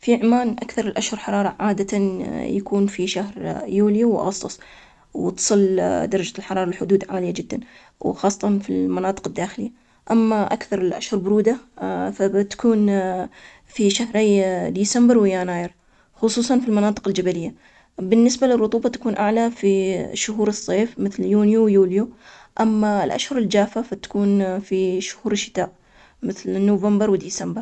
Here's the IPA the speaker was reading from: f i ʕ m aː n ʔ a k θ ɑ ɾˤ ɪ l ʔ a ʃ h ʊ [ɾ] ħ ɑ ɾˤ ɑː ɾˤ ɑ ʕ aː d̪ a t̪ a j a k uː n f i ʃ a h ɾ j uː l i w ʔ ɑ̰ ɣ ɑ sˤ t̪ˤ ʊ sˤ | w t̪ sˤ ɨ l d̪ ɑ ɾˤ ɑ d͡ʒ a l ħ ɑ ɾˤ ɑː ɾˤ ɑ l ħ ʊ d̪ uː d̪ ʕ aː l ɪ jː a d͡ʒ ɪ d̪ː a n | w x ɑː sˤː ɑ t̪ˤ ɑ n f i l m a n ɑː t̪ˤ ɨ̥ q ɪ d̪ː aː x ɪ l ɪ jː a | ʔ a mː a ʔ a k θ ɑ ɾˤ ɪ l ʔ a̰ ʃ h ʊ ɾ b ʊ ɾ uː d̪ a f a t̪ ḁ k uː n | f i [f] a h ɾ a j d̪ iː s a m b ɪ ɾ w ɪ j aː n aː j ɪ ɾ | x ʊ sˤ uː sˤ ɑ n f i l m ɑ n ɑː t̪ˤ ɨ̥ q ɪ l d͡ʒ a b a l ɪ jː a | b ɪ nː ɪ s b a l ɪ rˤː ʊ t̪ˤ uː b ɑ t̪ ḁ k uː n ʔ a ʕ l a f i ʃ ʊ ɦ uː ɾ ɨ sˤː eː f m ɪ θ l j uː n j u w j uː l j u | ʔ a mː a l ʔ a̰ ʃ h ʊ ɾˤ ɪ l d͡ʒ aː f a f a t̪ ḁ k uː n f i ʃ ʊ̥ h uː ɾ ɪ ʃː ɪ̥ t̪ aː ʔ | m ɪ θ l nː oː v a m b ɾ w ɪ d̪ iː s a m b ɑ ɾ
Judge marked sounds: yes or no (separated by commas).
yes, no